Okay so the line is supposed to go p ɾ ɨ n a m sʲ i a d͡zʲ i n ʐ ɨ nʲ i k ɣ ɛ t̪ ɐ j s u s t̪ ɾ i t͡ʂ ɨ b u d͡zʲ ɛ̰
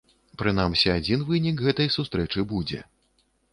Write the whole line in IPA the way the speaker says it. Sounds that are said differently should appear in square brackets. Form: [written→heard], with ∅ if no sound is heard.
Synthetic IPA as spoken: p ɾ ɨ n a m sʲ i a d͡zʲ i n [ʐ→v] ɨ nʲ i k ɣ ɛ t̪ ɐ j s u s t̪ ɾ [i→ɛ] t͡ʂ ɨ b u d͡zʲ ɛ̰

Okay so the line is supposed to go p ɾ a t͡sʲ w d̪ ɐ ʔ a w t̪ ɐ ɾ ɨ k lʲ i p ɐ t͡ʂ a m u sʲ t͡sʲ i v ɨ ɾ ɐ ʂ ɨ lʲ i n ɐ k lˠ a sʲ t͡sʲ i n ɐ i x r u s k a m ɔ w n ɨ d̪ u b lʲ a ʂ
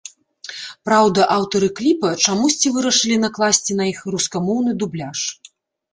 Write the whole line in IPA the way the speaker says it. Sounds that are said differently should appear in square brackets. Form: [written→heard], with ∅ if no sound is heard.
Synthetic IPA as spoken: p ɾ a [t͡sʲ→∅] w d̪ ɐ ʔ a w t̪ ɐ ɾ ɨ k lʲ i p ɐ t͡ʂ a m u sʲ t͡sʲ i v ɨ ɾ ɐ ʂ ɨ lʲ i n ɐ k lˠ a sʲ t͡sʲ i n ɐ i x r u s k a m ɔ w n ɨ d̪ u b lʲ a ʂ

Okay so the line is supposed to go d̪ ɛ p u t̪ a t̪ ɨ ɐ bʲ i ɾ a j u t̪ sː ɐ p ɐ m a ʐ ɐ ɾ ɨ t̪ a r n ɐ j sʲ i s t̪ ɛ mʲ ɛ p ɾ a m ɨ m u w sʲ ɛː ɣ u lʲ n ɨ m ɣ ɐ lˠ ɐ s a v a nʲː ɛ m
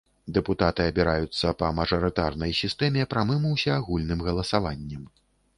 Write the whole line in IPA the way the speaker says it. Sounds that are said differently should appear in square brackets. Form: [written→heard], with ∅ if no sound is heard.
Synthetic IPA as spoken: d̪ ɛ p u t̪ a t̪ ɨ ɐ bʲ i ɾ a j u t̪ sː ɐ p ɐ m [a→ɐ] ʐ ɐ ɾ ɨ t̪ a r n ɐ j sʲ i s t̪ ɛ mʲ ɛ p ɾ a m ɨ m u w sʲ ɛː ɣ u lʲ n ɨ m ɣ ɐ lˠ ɐ s a v a nʲː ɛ m

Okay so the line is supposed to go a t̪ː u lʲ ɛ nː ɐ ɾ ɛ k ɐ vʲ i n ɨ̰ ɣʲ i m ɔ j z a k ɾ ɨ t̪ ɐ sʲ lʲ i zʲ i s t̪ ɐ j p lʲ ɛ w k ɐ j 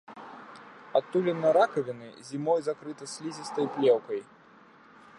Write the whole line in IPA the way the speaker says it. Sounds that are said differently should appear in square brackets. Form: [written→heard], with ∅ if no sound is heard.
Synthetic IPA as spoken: a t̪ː u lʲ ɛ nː ɐ ɾ [ɛ→a] k ɐ vʲ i n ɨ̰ [ɣʲ→zʲ] i m ɔ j z a k ɾ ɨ t̪ ɐ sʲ lʲ i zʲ i s t̪ ɐ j p lʲ ɛ w k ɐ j

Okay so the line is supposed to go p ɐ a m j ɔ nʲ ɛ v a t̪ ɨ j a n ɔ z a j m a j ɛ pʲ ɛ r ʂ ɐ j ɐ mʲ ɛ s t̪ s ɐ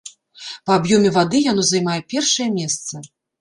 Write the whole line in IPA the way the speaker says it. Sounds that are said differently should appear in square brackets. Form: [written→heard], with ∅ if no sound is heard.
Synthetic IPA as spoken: p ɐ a [m→b] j ɔ [nʲ→mʲ] ɛ v a [t̪→d̪] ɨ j a n ɔ z a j m a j ɛ pʲ ɛ r ʂ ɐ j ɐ mʲ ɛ s t̪ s ɐ

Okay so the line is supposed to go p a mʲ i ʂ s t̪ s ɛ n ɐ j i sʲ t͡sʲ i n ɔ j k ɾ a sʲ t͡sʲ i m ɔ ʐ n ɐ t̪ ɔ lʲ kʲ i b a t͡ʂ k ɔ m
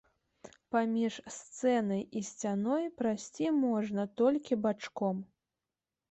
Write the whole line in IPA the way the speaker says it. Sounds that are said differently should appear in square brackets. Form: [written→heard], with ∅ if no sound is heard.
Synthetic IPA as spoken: p a mʲ i ʂ s t̪ s ɛ n ɐ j i sʲ t͡sʲ [i→a] n ɔ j [k→p] ɾ a sʲ t͡sʲ i m ɔ ʐ n ɐ t̪ ɔ lʲ kʲ i b a t͡ʂ k ɔ m

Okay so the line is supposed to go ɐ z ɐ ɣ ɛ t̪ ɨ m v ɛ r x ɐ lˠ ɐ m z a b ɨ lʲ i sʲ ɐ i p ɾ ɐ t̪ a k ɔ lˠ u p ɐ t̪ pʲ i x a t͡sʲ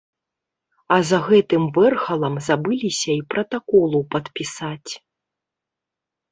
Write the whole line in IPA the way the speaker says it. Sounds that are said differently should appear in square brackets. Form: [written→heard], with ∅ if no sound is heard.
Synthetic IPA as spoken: ɐ z ɐ ɣ ɛ t̪ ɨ m v ɛ r x ɐ lˠ ɐ m z a b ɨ lʲ i sʲ ɐ i p ɾ ɐ t̪ a k ɔ lˠ u p ɐ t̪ pʲ i [x→s] a t͡sʲ

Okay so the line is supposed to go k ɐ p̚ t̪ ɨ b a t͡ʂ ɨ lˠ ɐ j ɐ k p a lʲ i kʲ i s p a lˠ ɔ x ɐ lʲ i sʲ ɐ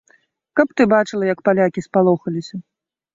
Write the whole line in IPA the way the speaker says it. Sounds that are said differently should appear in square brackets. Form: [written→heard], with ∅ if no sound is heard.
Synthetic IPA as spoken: k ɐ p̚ t̪ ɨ b a t͡ʂ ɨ lˠ ɐ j ɐ k p a lʲ [i→a] kʲ i s p a lˠ ɔ x ɐ lʲ i sʲ ɐ

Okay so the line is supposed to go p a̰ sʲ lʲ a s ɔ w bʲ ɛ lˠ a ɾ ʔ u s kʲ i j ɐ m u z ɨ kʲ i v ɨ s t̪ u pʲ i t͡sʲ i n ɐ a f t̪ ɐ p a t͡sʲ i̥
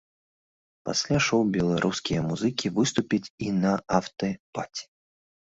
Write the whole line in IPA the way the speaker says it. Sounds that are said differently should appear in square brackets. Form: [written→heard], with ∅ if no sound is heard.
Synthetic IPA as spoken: p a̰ sʲ lʲ a [s→ʂ] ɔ w bʲ ɛ lˠ a ɾ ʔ u s kʲ i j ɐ m u z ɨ kʲ i v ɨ s t̪ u pʲ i t͡sʲ i n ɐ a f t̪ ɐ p a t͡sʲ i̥

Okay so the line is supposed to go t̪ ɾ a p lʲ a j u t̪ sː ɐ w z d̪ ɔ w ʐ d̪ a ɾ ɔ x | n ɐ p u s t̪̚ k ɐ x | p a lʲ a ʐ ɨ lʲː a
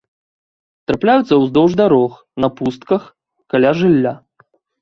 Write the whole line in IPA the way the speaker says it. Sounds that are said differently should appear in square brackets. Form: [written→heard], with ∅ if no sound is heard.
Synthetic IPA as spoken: t̪ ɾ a p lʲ a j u t̪ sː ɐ w z d̪ ɔ w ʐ d̪ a ɾ ɔ x | n ɐ p u s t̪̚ k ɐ x | [p→k] a lʲ a ʐ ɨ lʲː a

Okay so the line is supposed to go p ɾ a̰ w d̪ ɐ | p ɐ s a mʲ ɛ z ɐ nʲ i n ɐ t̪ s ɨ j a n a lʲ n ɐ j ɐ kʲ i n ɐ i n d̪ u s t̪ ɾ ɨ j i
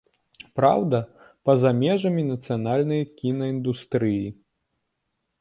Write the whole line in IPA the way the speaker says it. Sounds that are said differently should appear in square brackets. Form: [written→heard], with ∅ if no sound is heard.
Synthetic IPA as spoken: p ɾ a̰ w d̪ ɐ | p ɐ [s→z] a mʲ ɛ [z→ʐ] ɐ [nʲ→mʲ] i n ɐ t̪ s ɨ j a n a lʲ n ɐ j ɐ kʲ i n ɐ i n d̪ u s t̪ ɾ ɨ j i

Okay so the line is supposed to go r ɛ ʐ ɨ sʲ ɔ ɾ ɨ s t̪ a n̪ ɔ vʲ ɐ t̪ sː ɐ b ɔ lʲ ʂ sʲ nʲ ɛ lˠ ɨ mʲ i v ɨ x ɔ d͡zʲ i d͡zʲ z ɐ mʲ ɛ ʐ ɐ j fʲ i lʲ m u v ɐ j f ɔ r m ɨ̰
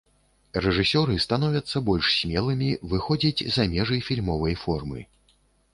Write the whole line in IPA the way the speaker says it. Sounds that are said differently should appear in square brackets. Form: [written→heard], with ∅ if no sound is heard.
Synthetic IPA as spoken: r ɛ ʐ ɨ sʲ ɔ ɾ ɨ s t̪ a n̪ ɔ vʲ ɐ t̪ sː ɐ b ɔ lʲ ʂ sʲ [nʲ→mʲ] ɛ lˠ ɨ mʲ i v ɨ x ɔ d͡zʲ i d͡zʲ z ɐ mʲ ɛ ʐ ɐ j fʲ i lʲ m [u→ɔ] v ɐ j f ɔ r m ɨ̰

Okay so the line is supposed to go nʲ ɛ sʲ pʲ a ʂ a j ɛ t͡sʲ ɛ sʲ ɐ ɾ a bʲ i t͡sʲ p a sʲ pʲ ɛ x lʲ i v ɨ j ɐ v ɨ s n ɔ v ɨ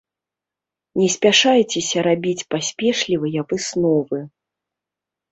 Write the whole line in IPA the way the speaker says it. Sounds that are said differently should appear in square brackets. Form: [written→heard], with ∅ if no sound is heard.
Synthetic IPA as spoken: nʲ ɛ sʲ pʲ a ʂ a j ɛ t͡sʲ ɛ sʲ ɐ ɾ a bʲ i t͡sʲ p a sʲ pʲ ɛ [x→ʂ] lʲ i v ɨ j ɐ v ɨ s n ɔ v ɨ

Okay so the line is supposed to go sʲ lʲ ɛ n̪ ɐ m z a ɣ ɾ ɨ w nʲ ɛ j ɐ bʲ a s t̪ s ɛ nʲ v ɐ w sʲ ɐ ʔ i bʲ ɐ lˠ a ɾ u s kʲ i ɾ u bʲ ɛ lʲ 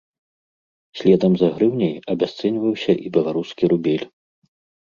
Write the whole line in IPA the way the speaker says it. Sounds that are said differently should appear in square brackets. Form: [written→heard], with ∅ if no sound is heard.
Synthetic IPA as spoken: sʲ lʲ ɛ [n̪→d̪] ɐ m z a ɣ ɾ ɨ w nʲ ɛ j ɐ bʲ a s t̪ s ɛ nʲ v ɐ w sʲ ɐ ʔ i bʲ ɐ lˠ a ɾ u s kʲ i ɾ u bʲ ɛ lʲ

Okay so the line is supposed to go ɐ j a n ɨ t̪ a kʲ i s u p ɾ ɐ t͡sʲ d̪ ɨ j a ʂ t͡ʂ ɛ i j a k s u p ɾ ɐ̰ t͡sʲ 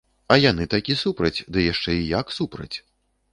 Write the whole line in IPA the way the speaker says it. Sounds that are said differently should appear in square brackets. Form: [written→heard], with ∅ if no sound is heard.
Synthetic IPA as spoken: ɐ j a n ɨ t̪ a kʲ i s u p ɾ ɐ t͡sʲ d̪ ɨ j a ʂ t͡ʂ ɛ i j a k s u p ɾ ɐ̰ t͡sʲ

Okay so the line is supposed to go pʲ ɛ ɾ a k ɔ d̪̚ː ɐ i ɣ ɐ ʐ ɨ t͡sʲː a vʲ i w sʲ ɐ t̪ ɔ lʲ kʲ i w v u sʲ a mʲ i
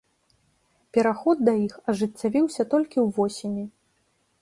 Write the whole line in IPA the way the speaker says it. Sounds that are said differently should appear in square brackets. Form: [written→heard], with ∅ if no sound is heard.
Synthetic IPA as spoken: pʲ ɛ ɾ a [k→x] ɔ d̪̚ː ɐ i [ɣ→x] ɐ ʐ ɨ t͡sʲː a vʲ i w sʲ ɐ t̪ ɔ lʲ kʲ i w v [u→ɔ] sʲ [a→i] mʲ i

